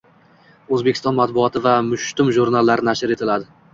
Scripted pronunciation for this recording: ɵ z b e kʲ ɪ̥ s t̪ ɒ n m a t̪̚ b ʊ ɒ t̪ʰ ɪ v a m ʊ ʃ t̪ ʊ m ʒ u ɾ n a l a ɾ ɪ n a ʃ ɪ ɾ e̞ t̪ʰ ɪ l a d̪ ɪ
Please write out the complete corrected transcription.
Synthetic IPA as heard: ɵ z b e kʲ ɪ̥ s t̪ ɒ n m a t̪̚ b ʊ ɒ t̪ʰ ɪ v a m ʊ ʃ t̪ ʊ m ʒ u ɾ n a lː a ɾ ɪ n a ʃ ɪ ɾ e̞ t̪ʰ ɪ l a d̪ ɪ

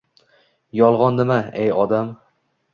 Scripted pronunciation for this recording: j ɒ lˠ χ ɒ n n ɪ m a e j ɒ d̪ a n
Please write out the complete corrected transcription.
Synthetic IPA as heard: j ɒ lˠ ʁ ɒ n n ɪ m a e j ɒ d̪ a m

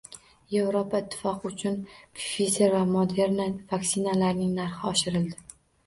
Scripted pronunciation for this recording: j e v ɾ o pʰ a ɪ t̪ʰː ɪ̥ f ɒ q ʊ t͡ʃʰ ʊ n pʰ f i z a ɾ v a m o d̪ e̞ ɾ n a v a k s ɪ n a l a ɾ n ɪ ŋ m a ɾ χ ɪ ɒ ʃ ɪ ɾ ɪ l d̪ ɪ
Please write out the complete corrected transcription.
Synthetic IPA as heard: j e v ɾ o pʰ a ɪ t̪ʰː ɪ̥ f ɒ q ʊ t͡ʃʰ ʊ n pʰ f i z e ɾ v a m o d̪ e̞ ɾ n a v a k s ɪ n a l a ɾ n ɪ ŋ n a ɾ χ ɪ ɒ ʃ ɪ ɾ ɪ l d̪ ɪ

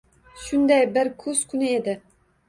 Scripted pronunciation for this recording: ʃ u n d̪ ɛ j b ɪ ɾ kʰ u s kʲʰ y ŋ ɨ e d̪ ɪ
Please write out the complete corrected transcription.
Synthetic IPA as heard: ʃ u n d̪ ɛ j b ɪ ɾ kʰ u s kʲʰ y n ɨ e d̪ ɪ

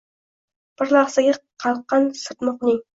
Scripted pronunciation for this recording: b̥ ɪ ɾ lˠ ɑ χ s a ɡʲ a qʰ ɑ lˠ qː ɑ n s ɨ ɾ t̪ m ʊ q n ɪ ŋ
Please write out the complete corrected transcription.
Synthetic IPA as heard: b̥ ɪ ɾ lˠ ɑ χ s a ɡʲ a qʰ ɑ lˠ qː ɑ n s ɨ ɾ t̪ m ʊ q n ɪ ŋ

